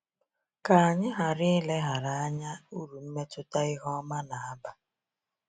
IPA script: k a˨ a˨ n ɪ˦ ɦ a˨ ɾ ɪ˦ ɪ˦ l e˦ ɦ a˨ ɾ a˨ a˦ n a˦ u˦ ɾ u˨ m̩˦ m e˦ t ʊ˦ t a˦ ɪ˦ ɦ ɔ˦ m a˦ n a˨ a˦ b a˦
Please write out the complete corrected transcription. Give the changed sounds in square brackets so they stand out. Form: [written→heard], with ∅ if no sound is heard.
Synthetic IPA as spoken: k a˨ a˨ [n→ɲ] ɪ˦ ɦ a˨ ɾ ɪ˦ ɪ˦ l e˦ ɦ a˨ ɾ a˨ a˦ [n→ɲ] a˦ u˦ ɾ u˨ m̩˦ m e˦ t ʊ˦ t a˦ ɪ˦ ɦ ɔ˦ m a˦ n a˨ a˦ b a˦